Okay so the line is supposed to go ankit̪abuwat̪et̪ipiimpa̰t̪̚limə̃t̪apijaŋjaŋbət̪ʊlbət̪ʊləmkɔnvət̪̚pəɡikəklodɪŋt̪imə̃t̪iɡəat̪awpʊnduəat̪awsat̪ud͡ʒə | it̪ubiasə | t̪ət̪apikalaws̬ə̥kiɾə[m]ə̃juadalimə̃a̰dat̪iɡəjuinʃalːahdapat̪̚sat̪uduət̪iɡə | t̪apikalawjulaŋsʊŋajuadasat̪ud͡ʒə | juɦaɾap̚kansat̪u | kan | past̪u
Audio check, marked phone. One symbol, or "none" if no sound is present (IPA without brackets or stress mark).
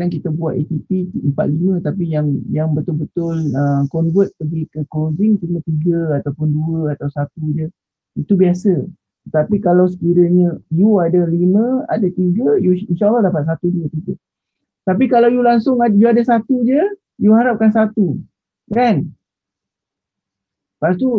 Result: ɲ